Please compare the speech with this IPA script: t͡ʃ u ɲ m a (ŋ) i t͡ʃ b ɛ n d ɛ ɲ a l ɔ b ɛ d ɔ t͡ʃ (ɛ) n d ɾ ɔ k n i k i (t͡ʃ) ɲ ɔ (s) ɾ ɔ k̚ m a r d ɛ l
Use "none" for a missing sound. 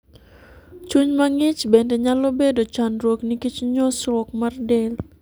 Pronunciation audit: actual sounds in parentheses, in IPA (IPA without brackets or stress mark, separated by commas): ŋ, a, t͡ʃ, s